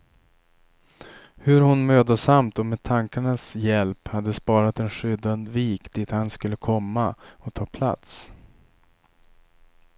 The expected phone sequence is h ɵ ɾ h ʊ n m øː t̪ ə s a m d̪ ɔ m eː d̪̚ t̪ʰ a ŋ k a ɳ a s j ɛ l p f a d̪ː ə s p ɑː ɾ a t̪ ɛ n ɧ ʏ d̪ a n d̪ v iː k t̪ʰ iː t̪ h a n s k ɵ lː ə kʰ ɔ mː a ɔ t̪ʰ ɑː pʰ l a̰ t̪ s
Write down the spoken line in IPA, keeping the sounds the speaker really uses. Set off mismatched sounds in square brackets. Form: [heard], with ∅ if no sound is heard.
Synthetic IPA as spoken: h ɵ ɾ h ʊ n m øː [d̪] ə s a m [t̪] ɔ m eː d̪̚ t̪ʰ a ŋ k a ɳ a s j ɛ l p [h] a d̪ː ə s p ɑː ɾ a t̪ ɛ n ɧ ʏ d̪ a n d̪ v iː k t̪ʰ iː t̪ h a n s k ɵ lː ə kʰ ɔ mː a ɔ t̪ʰ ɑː pʰ l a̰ t̪ s